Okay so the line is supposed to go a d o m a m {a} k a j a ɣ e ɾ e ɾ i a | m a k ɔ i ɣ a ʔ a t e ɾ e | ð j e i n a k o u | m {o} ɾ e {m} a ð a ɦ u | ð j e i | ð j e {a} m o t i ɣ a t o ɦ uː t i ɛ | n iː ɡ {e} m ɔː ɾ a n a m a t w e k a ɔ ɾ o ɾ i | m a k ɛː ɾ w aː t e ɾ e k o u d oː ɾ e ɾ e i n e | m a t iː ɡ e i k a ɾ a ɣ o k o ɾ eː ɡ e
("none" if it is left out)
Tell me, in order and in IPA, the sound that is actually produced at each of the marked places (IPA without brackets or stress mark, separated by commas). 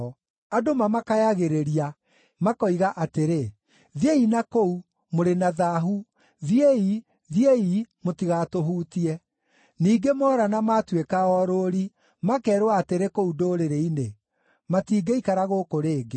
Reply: a, o, n, i, e